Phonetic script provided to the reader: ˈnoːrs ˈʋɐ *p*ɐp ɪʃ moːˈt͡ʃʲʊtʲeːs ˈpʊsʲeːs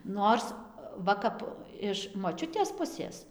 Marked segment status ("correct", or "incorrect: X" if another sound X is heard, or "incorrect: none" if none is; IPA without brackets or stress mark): incorrect: k